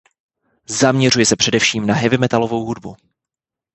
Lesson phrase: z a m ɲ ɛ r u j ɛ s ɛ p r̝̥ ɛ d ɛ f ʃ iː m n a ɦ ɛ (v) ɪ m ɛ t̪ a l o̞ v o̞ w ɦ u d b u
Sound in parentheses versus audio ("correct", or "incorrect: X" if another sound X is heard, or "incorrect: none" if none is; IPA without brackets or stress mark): correct